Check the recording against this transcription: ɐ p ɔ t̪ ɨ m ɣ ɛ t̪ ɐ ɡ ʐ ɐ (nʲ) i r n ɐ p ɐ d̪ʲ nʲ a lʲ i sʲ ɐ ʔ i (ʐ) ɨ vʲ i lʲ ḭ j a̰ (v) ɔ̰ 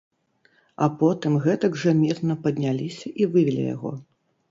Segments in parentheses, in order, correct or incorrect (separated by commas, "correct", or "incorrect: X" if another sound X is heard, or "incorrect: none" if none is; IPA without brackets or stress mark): incorrect: mʲ, incorrect: v, incorrect: ɣ